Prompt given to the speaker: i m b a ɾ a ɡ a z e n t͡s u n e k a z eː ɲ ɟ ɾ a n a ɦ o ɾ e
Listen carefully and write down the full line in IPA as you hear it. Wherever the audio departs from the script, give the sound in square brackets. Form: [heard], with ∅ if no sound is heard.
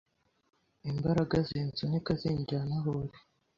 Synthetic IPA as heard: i m b a ɾ a ɡ a z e n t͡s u n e k a z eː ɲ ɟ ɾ a n a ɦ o ɾ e